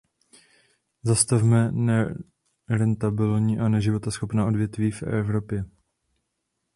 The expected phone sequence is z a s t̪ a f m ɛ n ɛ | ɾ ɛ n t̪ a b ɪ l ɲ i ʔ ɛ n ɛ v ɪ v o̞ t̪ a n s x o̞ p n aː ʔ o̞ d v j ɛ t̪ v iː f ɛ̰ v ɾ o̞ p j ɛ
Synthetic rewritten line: z a s t̪ a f m ɛ n ɛ | ɾ ɛ n t̪ a b ɪ l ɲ i ʔ a n ɛ ʒ ɪ v o̞ t̪ a s x o̞ p n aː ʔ o̞ d v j ɛ t̪ v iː f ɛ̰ v ɾ o̞ p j ɛ

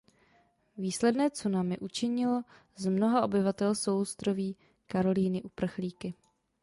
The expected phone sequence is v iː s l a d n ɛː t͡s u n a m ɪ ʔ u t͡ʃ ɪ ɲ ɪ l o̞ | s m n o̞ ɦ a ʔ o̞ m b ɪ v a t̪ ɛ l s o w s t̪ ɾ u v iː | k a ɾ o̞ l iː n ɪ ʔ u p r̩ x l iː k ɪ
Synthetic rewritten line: v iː s l ɛ d n ɛː t͡s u n a m ɪ ʔ u t͡ʃ ɪ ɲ ɪ l o̞ | z m n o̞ ɦ a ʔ o̞ b ɪ v a t̪ ɛ l s o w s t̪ ɾ o v iː | k a ɾ o̞ l iː n ɪ ʔ u p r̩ x l iː k ɪ

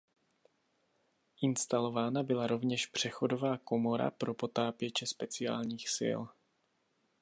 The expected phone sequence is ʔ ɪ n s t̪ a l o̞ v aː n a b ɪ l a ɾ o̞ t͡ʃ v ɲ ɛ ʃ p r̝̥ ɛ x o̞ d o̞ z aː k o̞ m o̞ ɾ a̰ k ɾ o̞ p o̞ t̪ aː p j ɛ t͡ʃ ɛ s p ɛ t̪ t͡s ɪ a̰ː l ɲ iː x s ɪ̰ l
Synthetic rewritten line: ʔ ɪ n s t̪ a l o̞ v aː n a b ɪ l a ɾ o̞ v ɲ ɛ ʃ p r̝̥ ɛ x o̞ d o̞ v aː k o̞ m o̞ ɾ a̰ p ɾ o̞ p o̞ t̪ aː p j ɛ t͡ʃ ɛ s p ɛ t͡s ɪ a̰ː l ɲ iː x s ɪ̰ l

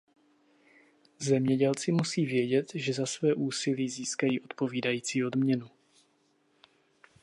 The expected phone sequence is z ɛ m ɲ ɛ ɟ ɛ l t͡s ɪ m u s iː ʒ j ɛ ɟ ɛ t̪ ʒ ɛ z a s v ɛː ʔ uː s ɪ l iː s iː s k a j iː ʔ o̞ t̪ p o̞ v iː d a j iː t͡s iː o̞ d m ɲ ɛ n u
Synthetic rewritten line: z ɛ m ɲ ɛ ɟ ɛ l t͡s ɪ m u s iː v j ɛ ɟ ɛ t̪ ʒ ɛ z a s v ɛː ʔ uː s ɪ l iː z iː s k a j iː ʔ o̞ t̪ p o̞ v iː d a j iː t͡s iː o̞ d m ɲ ɛ n u

